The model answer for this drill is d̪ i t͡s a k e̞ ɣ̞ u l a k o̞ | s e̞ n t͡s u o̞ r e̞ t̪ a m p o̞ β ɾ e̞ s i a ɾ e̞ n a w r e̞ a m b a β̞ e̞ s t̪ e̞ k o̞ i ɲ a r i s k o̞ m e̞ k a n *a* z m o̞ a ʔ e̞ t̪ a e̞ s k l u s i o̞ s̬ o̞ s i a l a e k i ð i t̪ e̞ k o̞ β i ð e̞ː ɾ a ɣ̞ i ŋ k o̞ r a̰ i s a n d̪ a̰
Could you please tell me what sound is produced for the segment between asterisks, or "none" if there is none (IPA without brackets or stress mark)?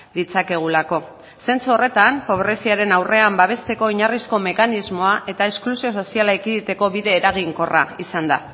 i